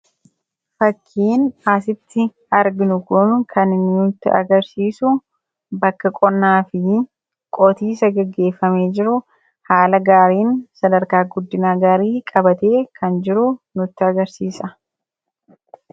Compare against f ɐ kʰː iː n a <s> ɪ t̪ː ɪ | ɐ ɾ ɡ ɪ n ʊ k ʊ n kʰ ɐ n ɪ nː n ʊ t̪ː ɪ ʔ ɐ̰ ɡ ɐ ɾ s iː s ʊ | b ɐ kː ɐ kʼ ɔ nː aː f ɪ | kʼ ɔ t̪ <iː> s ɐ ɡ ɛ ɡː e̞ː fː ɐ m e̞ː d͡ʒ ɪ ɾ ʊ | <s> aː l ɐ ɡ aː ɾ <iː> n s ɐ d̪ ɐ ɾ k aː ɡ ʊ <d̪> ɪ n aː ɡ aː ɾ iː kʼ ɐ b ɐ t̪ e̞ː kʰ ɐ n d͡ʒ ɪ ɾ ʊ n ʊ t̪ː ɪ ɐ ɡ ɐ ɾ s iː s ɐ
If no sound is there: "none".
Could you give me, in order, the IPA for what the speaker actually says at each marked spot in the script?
s, iː, h, iː, d̪ː

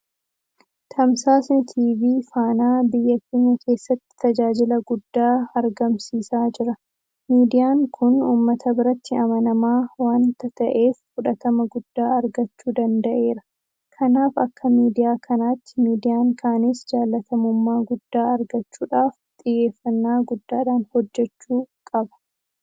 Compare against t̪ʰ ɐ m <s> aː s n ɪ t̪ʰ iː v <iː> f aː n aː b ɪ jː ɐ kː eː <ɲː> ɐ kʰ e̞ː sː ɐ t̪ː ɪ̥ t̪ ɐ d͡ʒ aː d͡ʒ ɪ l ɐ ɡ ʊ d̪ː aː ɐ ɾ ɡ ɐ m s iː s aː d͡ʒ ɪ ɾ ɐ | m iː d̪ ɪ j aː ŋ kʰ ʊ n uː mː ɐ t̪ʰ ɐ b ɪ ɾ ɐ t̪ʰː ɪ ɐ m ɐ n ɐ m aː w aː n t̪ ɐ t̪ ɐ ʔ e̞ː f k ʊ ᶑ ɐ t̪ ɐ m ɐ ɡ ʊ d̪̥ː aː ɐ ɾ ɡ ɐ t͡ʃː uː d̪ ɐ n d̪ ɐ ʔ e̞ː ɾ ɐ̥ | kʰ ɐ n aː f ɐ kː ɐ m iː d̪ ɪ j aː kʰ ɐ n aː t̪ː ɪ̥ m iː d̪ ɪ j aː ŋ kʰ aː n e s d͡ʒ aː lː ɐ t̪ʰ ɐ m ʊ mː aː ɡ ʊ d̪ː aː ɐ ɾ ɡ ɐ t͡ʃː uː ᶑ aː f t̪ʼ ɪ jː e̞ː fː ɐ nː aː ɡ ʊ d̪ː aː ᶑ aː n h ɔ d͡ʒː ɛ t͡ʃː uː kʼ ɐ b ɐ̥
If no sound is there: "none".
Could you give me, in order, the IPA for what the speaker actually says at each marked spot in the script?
s, iː, ɲː

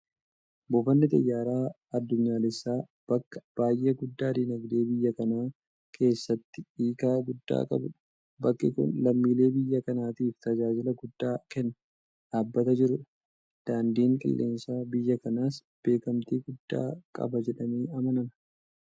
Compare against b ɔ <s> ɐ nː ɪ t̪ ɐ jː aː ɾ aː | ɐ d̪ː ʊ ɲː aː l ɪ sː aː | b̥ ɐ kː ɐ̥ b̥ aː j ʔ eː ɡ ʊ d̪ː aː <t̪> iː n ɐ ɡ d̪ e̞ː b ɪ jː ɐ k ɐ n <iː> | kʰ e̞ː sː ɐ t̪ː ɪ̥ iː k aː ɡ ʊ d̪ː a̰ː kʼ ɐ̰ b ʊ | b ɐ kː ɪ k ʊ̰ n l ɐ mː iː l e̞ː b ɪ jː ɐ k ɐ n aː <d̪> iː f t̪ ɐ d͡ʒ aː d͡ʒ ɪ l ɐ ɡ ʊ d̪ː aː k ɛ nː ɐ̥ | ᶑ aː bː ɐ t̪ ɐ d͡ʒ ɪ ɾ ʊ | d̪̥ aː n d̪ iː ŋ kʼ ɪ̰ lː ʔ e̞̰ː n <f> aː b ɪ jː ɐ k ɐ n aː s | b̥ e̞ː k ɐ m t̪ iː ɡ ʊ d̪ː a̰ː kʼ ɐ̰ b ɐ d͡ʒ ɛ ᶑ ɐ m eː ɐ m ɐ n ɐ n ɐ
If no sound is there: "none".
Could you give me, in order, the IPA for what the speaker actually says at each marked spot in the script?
f, d̪, aː, t̪, s

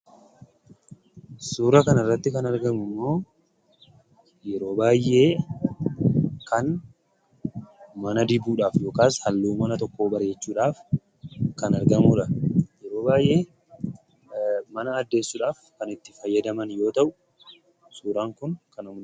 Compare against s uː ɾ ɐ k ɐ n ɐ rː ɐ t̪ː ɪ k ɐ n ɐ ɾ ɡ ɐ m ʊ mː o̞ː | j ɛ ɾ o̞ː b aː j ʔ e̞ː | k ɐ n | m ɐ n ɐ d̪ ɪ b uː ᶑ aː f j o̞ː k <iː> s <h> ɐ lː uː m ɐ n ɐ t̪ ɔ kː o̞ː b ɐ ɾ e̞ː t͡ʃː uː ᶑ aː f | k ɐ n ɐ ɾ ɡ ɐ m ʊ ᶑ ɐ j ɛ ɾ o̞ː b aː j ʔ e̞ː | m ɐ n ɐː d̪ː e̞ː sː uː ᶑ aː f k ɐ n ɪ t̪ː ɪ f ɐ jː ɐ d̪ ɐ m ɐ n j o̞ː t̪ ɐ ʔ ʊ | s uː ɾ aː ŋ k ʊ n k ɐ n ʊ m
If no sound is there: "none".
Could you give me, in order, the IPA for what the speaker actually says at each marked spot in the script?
aː, h

